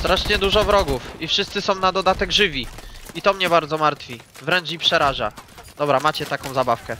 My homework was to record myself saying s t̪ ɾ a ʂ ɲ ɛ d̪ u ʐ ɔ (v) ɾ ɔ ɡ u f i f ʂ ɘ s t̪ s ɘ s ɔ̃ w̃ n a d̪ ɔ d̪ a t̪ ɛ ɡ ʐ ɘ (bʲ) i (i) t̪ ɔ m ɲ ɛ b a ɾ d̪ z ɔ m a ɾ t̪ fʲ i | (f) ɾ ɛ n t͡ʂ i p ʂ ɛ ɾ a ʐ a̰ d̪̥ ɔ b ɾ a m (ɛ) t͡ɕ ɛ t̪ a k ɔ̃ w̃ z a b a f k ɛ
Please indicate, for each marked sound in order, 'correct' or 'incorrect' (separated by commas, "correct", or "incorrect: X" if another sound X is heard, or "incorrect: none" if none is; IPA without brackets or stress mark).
correct, incorrect: vʲ, correct, incorrect: v, incorrect: a